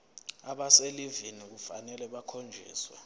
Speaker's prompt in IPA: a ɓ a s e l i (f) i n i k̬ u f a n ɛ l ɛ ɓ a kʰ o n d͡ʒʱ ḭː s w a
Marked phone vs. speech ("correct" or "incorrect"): incorrect